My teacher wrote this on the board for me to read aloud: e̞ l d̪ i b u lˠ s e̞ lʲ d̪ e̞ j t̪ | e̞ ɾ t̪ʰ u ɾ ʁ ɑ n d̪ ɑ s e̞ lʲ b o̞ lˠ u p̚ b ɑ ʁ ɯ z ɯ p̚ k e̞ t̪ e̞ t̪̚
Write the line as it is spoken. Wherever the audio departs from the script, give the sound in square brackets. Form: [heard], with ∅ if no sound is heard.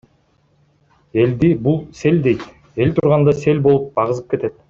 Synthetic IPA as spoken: e̞ l d̪ i b u lˠ s e̞ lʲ d̪ e̞ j t̪ | e̞ [l] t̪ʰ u ɾ ʁ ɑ n d̪ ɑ s e̞ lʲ b o̞ lˠ u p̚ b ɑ ʁ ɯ z ɯ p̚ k e̞ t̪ e̞ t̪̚